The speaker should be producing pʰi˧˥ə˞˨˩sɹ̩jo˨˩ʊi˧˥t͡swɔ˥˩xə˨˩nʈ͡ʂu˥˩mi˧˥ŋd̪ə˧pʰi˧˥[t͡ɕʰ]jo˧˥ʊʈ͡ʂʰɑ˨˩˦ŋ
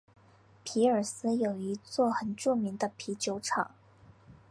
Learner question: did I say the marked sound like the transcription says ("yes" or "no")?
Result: no